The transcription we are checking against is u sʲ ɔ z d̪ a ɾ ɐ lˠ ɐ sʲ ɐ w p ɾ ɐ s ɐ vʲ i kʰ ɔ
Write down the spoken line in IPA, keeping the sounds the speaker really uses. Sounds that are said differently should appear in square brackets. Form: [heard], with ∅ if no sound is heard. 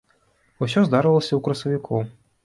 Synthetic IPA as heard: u sʲ ɔ z d̪ a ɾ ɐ lˠ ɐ sʲ ɐ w [k] ɾ ɐ s ɐ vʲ i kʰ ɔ